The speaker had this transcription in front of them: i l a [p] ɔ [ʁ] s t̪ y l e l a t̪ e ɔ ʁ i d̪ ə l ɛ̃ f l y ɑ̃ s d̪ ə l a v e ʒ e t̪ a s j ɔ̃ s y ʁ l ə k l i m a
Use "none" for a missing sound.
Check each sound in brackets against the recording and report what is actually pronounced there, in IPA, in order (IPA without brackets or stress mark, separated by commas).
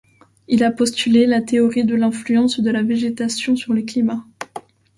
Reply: p, none